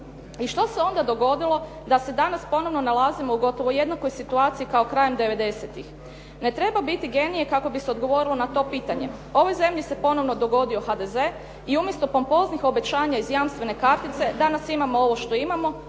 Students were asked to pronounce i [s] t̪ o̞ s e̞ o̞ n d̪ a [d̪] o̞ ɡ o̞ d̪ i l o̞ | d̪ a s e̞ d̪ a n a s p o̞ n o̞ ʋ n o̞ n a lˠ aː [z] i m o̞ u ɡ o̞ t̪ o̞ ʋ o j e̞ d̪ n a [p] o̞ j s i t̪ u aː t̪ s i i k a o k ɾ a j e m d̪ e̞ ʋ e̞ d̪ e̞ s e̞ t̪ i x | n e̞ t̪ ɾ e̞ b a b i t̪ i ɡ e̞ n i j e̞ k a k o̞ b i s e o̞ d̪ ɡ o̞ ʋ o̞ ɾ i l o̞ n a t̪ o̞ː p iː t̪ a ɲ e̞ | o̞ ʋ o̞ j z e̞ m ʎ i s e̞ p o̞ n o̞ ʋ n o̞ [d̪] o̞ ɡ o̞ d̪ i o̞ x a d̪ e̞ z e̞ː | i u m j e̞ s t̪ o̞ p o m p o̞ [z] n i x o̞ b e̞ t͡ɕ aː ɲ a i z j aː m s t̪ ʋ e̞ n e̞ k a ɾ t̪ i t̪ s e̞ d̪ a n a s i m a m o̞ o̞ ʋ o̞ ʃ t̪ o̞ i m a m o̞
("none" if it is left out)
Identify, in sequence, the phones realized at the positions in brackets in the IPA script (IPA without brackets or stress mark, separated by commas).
ʃ, d̪, z, k, d̪, z